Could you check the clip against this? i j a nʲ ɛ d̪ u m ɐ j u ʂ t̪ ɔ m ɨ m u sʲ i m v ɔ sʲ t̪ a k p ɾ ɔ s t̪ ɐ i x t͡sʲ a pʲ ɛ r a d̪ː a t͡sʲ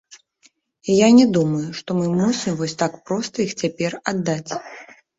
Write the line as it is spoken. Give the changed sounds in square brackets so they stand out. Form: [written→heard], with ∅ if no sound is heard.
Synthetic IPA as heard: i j a nʲ ɛ d̪ u m ɐ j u ʂ t̪ ɔ m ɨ m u sʲ i m v ɔ sʲ t̪ a k p ɾ ɔ s t̪ ɐ i x t͡sʲ a pʲ ɛ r a d̪ː a t͡sʲ